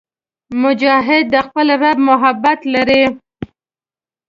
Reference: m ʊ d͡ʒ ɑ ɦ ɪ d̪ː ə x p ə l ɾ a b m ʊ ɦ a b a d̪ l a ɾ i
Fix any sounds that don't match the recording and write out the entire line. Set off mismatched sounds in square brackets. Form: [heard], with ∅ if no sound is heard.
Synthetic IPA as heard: m ʊ d͡ʒ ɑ ɦ ɪ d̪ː ə x p ə l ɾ a b m ʊ ɦ a b a [t̪] l a ɾ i